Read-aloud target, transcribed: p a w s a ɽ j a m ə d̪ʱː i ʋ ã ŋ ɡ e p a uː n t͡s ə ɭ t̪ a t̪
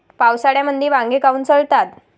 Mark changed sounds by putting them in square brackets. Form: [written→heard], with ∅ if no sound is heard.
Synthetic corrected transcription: p a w s a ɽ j a m ə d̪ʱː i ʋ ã ŋ ɡ e [p→k] a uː n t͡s ə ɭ t̪ a t̪